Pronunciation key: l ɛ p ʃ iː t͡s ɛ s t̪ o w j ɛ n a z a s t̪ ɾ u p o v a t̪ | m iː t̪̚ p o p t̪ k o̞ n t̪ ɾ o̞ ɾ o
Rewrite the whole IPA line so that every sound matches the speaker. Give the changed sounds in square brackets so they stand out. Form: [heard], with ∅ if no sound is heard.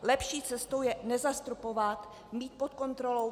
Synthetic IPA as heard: l ɛ p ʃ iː t͡s ɛ s t̪ o w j ɛ n [ɛ] z a s t̪ ɾ u p o v a t̪ | m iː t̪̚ p o [∅] t̪ k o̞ n t̪ ɾ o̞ [l] o